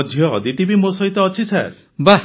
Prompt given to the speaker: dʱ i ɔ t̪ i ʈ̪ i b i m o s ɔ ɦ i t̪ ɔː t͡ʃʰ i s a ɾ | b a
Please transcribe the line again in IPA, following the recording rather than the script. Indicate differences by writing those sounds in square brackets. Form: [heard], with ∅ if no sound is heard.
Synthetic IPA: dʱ [j] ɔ [d̪] i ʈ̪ i b i m o s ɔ ɦ i t̪ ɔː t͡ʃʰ i s a ɾ | b a